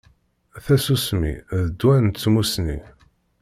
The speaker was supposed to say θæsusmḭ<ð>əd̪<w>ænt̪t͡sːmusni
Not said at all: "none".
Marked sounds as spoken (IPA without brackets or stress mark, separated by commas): ð, w